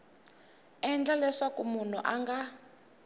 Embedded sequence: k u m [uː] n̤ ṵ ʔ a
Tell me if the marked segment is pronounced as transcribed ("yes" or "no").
no